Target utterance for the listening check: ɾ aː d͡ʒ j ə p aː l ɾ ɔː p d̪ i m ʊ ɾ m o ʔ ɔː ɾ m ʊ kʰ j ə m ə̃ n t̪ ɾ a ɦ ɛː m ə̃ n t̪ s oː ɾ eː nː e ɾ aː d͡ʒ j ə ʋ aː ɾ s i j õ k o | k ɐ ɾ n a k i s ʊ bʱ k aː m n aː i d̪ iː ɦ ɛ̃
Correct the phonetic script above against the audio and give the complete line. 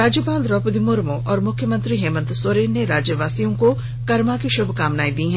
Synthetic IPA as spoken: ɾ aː d͡ʒ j ə p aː l ɾ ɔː p d̪ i m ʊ ɾ m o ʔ ɔː ɾ m ʊ kʰ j ə m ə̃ n t̪ ɾ i ɦ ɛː m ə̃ n t̪ s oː ɾ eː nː e ɾ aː d͡ʒ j ə ʋ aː s i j õ k o | k ɐ ɾ m a k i ʃ ʊ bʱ k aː m n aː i d̪ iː ɦ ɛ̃